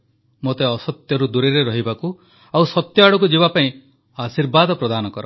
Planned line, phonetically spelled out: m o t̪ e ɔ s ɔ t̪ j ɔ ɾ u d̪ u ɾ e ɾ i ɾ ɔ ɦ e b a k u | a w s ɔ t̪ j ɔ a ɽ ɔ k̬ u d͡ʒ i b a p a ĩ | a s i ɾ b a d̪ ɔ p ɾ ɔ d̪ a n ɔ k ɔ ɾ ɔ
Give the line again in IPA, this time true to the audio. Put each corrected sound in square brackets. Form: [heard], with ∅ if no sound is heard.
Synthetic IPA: m o t̪ e ɔ s ɔ t̪ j ɔ ɾ u d̪ u ɾ e ɾ [e] ɾ ɔ ɦ [i] b a k u | a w s ɔ t̪ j ɔ a ɽ ɔ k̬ u d͡ʒ i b a p a ĩ | a s i ɾ b a d̪ ɔ p ɾ ɔ d̪ a n ɔ k ɔ ɾ ɔ